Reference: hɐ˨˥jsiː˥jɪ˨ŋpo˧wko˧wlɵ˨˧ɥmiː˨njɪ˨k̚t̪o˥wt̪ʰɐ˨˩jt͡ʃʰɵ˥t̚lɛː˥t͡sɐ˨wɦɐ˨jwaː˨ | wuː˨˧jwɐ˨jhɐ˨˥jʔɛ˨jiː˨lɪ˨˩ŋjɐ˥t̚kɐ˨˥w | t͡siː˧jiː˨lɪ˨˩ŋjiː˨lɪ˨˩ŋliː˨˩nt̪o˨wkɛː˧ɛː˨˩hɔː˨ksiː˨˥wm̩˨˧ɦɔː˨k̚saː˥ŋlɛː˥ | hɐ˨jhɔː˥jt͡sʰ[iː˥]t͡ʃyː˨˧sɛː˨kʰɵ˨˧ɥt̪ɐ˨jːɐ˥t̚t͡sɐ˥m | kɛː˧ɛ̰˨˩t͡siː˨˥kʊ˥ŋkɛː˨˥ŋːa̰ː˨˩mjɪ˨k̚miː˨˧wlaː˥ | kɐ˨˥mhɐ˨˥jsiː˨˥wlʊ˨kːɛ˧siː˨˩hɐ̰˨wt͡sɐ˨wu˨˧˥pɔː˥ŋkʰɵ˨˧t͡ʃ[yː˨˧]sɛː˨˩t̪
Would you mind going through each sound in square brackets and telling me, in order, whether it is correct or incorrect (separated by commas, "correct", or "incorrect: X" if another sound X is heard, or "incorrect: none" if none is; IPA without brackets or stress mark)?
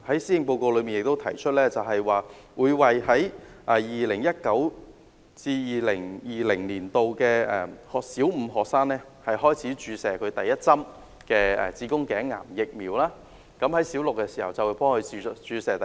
incorrect: iː˨˥, correct